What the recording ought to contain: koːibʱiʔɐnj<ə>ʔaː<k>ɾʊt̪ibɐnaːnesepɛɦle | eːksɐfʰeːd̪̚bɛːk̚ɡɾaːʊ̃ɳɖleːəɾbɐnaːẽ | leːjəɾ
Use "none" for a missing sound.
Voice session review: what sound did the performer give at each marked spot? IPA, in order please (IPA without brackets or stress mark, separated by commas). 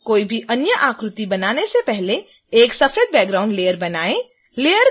ə, k